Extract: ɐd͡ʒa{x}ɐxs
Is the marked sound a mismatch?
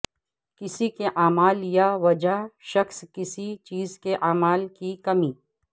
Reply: yes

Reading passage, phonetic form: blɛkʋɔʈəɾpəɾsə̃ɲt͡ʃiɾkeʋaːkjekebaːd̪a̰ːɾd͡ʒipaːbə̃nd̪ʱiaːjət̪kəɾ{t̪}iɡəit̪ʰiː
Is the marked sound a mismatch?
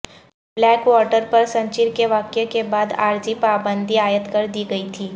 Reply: yes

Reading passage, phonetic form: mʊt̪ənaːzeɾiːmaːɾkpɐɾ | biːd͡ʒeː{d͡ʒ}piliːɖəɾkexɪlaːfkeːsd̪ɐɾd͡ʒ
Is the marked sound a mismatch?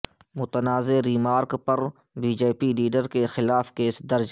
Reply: yes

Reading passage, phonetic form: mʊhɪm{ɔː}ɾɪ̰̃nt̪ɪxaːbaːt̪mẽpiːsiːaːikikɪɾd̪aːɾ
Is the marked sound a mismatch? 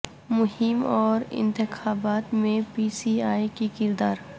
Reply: no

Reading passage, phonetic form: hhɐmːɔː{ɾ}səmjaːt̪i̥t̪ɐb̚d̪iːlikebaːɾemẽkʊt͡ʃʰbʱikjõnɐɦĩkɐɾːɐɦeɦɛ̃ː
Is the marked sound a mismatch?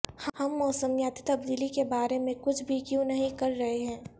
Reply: yes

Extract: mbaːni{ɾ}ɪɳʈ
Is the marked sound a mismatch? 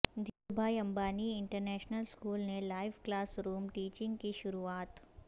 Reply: yes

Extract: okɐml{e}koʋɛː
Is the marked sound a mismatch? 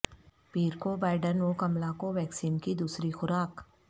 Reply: yes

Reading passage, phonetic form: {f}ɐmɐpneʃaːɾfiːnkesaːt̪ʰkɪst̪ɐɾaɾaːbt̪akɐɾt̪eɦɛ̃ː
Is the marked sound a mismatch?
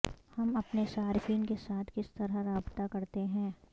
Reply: yes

